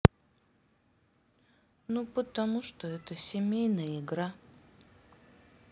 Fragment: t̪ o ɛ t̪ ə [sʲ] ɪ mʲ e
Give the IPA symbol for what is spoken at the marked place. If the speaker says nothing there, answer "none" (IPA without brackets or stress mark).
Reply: sʲ